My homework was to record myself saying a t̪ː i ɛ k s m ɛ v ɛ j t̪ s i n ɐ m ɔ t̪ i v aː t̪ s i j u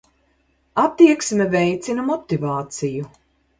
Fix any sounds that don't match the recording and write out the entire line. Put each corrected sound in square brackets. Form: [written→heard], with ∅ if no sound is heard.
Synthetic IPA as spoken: a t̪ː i ɛ k s m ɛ v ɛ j t̪ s i n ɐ m ɔ t̪ i v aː t̪ s i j u

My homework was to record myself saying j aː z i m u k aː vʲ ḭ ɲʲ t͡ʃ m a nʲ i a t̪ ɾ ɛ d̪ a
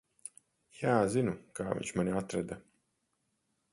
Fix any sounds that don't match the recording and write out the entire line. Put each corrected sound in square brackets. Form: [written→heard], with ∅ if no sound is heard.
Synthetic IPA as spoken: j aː z i [m→n] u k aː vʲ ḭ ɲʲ t͡ʃ m a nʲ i a t̪ ɾ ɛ d̪ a

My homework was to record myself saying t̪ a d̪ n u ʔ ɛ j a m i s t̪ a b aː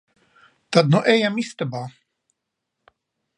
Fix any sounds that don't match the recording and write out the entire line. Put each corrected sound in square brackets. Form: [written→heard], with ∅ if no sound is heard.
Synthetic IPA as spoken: t̪ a d̪ n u ʔ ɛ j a m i s t̪ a b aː

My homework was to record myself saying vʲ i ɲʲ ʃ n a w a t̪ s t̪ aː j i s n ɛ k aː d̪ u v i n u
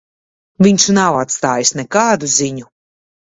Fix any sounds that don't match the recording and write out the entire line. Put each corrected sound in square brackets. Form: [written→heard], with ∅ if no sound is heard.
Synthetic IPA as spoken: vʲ i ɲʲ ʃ n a w a t̪ s t̪ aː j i s n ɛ k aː d̪ u [v→z] i [n→ɲ] u

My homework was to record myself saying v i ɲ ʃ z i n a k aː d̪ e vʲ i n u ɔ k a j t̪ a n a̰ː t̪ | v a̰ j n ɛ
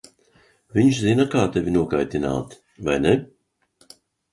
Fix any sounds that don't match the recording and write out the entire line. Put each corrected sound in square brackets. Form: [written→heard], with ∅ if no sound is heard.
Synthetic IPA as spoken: v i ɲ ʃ z i n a k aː [d̪→t̪] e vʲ i n u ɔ k a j t̪ [a→i] n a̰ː t̪ | v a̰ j n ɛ

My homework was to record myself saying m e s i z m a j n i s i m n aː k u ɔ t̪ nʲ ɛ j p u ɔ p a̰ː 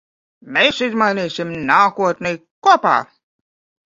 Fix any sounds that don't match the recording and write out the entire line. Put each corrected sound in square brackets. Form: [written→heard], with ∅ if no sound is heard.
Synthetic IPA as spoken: m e s i z m a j n [i→iː] s i m n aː k u ɔ t̪ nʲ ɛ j [p→k] u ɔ p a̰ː

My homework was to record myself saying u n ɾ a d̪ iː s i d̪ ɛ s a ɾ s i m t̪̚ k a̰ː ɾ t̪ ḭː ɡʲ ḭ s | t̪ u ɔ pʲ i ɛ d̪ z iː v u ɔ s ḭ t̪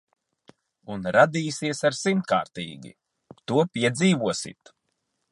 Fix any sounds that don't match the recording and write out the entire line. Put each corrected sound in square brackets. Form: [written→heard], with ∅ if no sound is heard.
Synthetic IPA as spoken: u n ɾ a d̪ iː s i [d̪→∅] ɛ s a ɾ s i m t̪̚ k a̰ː ɾ t̪ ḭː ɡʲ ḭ [s→∅] | t̪ u ɔ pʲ i ɛ d̪ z iː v u ɔ s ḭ t̪

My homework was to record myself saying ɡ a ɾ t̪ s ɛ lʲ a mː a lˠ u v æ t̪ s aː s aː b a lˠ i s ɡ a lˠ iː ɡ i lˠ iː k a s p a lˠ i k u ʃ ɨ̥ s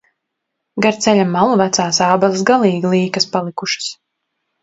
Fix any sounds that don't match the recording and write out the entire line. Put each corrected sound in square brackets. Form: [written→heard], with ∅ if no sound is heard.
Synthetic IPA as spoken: ɡ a ɾ t̪ s ɛ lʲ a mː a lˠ u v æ t̪ s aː s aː b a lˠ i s ɡ a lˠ iː ɡ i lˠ iː k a s p a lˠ i k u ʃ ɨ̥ s

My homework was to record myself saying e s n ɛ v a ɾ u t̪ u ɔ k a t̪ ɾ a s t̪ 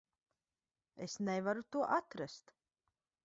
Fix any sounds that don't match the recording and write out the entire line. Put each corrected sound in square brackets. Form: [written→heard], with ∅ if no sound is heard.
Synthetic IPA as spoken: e s n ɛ v a ɾ u t̪ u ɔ [k→ʔ] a t̪ ɾ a s t̪

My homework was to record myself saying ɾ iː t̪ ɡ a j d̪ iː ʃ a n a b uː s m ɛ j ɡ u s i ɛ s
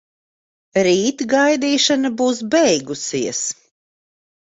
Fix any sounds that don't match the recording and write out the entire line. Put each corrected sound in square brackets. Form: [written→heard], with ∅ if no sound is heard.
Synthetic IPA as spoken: ɾ iː t̪ ɡ a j d̪ iː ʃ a n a b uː s [m→b] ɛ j ɡ u s i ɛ s

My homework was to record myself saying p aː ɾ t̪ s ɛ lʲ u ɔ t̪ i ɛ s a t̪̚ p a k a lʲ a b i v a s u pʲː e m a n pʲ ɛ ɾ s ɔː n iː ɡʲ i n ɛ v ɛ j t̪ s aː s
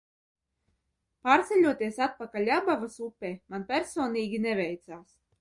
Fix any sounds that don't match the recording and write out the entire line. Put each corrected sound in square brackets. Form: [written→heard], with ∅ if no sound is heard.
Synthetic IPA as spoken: p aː ɾ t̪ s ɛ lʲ u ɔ t̪ i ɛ s a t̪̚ p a k a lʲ a b [i→a] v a s u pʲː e m a n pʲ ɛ ɾ s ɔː n iː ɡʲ i n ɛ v ɛ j t̪ s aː s

